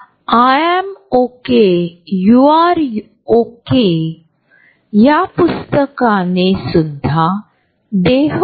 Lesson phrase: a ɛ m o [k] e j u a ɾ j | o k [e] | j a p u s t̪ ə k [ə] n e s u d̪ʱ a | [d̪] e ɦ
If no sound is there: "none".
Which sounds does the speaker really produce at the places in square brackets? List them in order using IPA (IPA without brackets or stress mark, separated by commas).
k, e, a, d̪